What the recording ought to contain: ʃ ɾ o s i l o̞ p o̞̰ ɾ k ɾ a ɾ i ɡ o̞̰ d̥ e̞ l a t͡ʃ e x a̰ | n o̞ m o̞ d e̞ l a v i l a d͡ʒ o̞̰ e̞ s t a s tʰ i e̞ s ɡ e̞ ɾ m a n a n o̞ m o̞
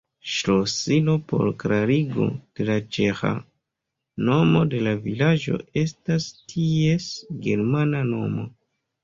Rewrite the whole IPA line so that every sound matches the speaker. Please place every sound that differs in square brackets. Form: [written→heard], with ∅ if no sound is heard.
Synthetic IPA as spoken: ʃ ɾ o s i l o̞ p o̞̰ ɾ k ɾ a ɾ i ɡ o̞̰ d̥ e̞ l a t͡ʃ e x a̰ | n o̞ m o̞ d e̞ l a v i l a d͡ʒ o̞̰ e̞ s t a s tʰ i e̞ s ɡ e̞ ɾ m a n a n o̞ m o̞